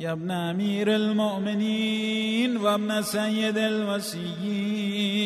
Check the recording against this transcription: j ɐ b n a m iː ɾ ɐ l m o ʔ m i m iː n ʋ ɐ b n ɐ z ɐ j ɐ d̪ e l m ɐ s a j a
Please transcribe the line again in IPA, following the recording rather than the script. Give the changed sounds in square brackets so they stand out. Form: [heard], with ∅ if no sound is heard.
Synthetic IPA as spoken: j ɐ b n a m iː ɾ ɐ l m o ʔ m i [n] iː n ʋ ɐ b n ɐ [s] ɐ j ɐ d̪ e l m ɐ s [i] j [i]